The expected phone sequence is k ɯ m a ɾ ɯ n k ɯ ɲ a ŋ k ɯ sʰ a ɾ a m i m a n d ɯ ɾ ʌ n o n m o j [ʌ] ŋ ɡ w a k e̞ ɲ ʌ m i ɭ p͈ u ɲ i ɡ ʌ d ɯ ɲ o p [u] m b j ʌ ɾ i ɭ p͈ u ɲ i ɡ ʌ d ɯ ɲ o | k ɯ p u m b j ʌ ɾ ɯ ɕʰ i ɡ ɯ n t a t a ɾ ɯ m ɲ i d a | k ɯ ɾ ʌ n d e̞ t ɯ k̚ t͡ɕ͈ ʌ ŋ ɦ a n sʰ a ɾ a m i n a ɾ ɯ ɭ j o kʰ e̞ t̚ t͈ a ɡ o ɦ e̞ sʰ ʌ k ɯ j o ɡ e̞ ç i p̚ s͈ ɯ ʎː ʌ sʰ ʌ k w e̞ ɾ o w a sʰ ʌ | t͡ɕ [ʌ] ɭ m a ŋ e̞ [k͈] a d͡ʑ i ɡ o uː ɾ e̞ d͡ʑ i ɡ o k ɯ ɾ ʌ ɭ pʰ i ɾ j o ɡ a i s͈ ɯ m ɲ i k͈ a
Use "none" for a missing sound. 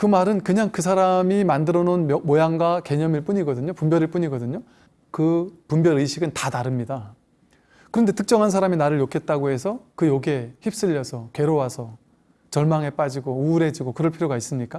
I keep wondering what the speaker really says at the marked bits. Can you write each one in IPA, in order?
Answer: a, u, ʌ, p͈

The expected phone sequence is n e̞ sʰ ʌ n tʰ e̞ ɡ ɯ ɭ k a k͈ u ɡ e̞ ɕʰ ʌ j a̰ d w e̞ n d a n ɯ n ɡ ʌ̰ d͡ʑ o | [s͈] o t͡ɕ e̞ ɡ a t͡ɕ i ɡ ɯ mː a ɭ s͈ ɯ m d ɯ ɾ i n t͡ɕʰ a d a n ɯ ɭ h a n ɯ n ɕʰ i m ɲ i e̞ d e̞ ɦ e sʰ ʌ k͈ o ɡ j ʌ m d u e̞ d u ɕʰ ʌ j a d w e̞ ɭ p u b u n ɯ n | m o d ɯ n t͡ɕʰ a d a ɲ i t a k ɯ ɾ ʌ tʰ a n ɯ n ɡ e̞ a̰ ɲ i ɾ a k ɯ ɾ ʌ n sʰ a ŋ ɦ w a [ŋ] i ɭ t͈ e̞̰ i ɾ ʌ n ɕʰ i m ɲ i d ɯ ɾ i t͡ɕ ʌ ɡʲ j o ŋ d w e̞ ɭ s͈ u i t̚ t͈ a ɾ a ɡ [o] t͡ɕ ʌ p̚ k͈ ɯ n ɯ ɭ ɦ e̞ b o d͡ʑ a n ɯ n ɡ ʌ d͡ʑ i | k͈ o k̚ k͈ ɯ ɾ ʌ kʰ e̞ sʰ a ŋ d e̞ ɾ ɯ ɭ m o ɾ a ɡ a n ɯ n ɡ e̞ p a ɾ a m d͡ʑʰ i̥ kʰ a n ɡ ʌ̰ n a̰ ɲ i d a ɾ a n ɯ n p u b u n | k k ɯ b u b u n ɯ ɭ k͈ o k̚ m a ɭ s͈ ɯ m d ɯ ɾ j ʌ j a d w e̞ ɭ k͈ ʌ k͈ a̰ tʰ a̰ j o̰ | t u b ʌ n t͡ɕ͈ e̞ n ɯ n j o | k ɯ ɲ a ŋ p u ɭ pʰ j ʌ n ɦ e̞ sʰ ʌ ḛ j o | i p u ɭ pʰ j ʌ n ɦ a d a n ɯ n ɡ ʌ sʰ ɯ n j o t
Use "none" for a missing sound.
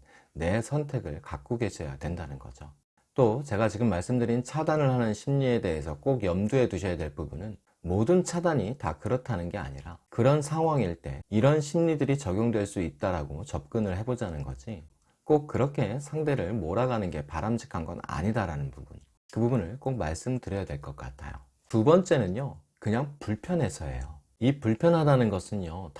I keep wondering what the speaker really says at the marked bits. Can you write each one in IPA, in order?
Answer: t͈, ŋ, o

